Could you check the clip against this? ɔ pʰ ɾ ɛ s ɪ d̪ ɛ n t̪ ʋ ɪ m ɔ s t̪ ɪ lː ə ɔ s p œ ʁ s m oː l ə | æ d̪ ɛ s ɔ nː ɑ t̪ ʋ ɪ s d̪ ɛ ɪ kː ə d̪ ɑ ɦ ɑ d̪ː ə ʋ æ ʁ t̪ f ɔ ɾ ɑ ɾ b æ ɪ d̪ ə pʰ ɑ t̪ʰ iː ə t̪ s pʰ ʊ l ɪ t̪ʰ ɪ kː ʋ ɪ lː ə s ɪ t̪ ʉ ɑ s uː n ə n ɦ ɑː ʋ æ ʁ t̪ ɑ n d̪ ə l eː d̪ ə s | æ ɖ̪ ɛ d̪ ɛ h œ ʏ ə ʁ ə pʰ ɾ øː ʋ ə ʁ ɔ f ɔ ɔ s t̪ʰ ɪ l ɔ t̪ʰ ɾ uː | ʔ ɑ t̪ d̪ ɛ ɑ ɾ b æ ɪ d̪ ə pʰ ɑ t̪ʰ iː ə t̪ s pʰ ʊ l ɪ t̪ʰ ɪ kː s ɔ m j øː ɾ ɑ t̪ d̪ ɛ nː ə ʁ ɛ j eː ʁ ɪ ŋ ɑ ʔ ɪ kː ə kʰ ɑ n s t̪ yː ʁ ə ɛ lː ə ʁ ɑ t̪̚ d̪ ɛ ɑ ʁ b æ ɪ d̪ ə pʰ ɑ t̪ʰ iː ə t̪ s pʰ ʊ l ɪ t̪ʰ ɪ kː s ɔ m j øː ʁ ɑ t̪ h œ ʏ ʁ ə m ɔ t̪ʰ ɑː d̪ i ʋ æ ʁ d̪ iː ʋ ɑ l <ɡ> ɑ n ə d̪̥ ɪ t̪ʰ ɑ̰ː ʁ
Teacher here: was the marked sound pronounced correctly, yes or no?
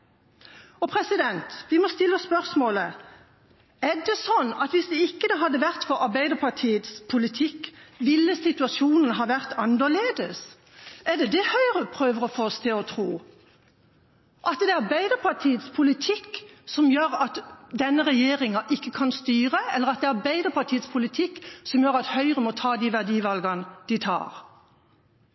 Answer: yes